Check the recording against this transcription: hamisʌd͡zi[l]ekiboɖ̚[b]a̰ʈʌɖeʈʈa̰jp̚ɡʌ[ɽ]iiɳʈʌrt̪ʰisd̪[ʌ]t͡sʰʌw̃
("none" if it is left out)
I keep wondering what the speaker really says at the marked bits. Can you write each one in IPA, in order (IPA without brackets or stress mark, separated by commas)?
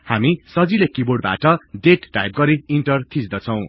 l, b, ɾ, ʌ